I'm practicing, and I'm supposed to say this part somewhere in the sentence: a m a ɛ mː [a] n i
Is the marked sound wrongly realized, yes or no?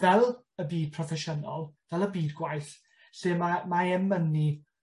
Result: yes